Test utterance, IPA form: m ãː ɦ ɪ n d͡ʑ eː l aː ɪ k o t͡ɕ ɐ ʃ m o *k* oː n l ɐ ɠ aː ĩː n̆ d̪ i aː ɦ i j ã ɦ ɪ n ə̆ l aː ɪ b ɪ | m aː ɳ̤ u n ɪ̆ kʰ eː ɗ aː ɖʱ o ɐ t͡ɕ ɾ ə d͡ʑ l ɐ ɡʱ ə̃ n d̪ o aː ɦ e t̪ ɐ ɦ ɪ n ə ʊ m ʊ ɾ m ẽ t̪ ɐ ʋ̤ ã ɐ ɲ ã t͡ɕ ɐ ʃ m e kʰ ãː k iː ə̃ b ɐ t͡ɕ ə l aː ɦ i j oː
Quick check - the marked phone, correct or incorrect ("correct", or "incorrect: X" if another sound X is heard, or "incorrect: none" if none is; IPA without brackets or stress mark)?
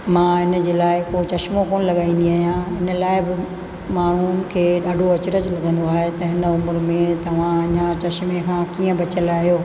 correct